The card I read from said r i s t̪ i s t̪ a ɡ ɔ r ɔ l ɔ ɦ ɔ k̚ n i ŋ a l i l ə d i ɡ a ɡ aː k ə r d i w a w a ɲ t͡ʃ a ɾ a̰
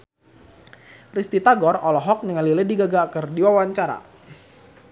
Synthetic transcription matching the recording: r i s t̪ i t̪ a ɡ ɔ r ɔ l ɔ ɦ ɔ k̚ n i ŋ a l i l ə d i ɡ a ɡ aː k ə r d i w a w a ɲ t͡ʃ a ɾ a̰

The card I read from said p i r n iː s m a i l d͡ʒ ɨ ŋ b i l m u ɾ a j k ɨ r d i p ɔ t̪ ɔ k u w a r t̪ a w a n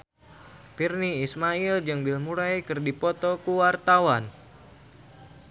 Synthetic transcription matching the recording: p i r n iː s m a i l d͡ʒ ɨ ŋ b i l m u ɾ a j k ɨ r d i p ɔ t̪ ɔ k u w a r t̪ a w a n

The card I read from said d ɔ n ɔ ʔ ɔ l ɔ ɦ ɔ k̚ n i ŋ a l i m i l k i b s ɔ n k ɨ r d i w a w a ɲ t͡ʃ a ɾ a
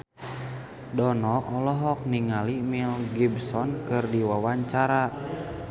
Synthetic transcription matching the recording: d ɔ n ɔ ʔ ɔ l ɔ ɦ ɔ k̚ n i ŋ a l i m i l ɡ i b s ɔ n k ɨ r d i w a w a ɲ t͡ʃ a ɾ a

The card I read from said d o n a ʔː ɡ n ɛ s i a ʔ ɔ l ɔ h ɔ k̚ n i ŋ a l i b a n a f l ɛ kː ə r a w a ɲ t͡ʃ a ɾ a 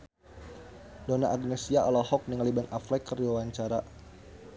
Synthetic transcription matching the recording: d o n a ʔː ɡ n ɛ s i a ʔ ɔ l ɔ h ɔ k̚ n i ŋ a l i b a n a f l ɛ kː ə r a w a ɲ t͡ʃ a ɾ a

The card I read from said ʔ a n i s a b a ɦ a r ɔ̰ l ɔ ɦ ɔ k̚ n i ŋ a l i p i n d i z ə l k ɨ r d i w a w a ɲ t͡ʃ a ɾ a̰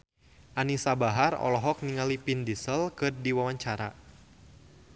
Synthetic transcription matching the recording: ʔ a n i s a b a ɦ a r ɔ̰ l ɔ ɦ ɔ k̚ n i ŋ a l i p i n d i s ə l k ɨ r d i w a w a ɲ t͡ʃ a ɾ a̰

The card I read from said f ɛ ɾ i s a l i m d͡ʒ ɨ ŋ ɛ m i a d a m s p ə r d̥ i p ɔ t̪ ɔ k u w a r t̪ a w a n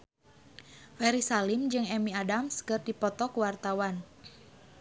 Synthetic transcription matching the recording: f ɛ ɾ i s a l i m d͡ʒ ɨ ŋ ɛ m i a d a m s k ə r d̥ i p ɔ t̪ ɔ k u w a r t̪ a w a n

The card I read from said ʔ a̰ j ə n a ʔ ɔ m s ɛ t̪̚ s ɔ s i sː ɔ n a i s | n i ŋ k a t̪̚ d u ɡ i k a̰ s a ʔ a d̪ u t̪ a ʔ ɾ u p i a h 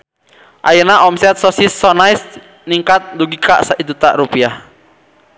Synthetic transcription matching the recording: ʔ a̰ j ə n a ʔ ɔ m s ɛ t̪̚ s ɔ s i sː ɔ n a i s | n i ŋ k a t̪̚ d u ɡ i k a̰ s a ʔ i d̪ u t̪ a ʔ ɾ u p i a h

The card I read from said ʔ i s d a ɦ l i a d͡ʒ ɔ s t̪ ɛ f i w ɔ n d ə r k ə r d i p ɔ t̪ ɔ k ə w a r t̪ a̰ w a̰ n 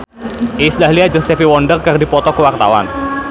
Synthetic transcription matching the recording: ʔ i s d a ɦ l i a d͡ʒ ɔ s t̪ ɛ f i w ɔ n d ə r k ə r d i p ɔ t̪ ɔ k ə w a r t̪ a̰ w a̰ n

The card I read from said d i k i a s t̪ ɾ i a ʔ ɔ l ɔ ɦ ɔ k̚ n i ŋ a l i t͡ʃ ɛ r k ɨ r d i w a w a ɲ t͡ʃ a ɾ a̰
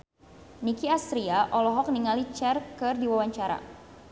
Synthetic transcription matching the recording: n i k i a s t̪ ɾ i a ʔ ɔ l ɔ ɦ ɔ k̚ n i ŋ a l i t͡ʃ ɛ r k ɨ r d i w a w a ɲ t͡ʃ a ɾ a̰

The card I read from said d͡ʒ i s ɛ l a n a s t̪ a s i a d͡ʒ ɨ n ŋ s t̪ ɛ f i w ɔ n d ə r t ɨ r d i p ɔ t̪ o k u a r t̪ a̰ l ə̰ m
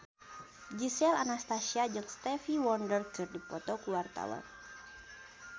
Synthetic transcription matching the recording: d͡ʒ i s ɛ l a n a s t̪ a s i a d͡ʒ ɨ ŋ s t̪ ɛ f i w ɔ n d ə r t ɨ r d i p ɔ t̪ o k u a r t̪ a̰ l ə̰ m

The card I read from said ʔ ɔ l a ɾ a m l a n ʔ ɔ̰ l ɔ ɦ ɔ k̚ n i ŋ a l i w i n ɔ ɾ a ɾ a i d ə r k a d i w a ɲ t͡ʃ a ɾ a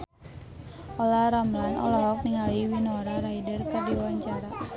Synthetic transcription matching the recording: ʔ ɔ l a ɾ a m l a n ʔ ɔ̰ l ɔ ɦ ɔ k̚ n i ŋ a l i w i n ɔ ɾ a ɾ a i d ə r k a d i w a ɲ t͡ʃ a ɾ a

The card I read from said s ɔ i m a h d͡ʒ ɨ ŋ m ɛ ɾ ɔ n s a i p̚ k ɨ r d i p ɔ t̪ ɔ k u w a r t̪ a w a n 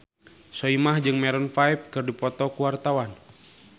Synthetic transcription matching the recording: s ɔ i m a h d͡ʒ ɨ ŋ m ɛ ɾ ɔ n f a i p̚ k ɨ r d i p ɔ t̪ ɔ k u w a r t̪ a w a n

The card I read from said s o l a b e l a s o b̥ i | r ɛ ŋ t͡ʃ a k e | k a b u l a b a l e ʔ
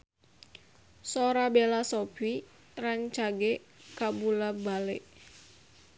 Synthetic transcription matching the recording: s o ɾ a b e l a s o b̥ i | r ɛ ŋ t͡ʃ a ɡ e | k a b u l a b a l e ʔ

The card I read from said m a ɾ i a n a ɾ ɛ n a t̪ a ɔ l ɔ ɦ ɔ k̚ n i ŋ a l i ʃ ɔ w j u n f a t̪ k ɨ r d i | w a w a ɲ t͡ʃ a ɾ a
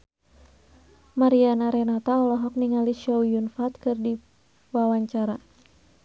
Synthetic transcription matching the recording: m a ɾ i a n a ɾ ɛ n a t̪ a ɔ l ɔ ɦ ɔ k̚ n i ŋ a l i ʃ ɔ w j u n f a t̪ k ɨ r d i | w a w a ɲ t͡ʃ a ɾ a

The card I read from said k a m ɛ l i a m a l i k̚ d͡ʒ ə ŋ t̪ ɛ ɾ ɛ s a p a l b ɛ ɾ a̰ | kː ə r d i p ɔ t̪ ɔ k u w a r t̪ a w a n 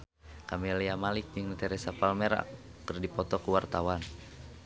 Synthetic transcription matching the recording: k a m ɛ l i a m a l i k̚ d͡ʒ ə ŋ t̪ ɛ ɾ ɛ s a p a l m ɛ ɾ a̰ | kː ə r d i p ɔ t̪ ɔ k u w a r t̪ a w a n

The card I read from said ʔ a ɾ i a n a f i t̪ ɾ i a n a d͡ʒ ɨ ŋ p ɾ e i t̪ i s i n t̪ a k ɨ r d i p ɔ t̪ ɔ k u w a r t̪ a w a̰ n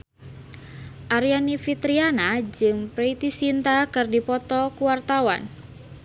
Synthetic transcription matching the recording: ʔ a ɾ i a n i f i t̪ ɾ i a n a d͡ʒ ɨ ŋ p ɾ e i t̪ i s i n t̪ a k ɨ r d i p ɔ t̪ ɔ k u w a r t̪ a w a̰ n

